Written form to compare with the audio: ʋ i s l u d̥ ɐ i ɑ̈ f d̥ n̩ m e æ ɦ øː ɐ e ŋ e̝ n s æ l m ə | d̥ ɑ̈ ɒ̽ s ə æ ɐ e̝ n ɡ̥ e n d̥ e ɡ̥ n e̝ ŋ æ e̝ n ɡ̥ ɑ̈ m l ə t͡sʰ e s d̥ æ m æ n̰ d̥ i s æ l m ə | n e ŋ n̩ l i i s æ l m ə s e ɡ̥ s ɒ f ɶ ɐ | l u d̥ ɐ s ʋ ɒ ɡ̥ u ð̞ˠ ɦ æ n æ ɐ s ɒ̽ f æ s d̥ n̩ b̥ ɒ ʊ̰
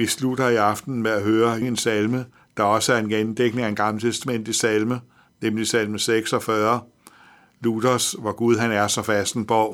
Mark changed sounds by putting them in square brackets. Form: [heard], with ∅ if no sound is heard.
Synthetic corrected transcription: ʋ i s l u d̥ ɐ i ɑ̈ f d̥ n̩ m e æ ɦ øː ɐ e ŋ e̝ n s æ l m ə | d̥ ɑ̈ ɒ̽ s ə æ ɐ e̝ n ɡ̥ e n d̥ e ɡ̥ n e̝ ŋ æ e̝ n ɡ̥ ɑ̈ m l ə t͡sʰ e s d̥ æ m [e] n̰ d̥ i s æ l m ə | n e [m] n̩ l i i s æ l m ə s e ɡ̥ s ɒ f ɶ ɐ | l u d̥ ɐ s ʋ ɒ ɡ̥ u ð̞ˠ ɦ æ n æ ɐ s ɒ̽ f æ s d̥ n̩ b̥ ɒ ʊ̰